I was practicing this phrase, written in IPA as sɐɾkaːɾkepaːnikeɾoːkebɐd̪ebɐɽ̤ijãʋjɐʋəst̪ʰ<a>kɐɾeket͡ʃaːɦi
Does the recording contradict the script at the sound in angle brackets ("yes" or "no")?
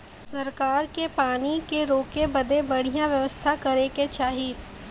no